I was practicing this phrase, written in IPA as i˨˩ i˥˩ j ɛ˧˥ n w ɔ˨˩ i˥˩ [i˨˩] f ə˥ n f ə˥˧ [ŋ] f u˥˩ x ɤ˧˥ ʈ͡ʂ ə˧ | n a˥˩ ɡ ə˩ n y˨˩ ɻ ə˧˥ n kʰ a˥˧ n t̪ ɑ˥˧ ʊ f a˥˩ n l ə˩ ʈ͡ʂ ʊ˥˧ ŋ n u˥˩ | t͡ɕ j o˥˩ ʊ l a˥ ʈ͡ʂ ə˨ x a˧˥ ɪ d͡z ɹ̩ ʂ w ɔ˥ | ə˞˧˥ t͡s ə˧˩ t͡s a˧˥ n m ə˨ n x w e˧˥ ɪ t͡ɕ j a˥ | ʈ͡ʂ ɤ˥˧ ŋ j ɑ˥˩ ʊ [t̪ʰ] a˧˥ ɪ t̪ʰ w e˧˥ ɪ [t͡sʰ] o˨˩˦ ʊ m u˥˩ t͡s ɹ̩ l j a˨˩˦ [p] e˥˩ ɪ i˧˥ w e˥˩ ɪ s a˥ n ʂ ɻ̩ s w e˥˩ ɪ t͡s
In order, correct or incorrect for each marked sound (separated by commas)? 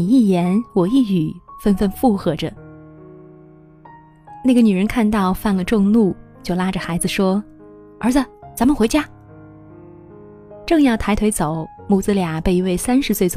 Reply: incorrect, incorrect, correct, incorrect, correct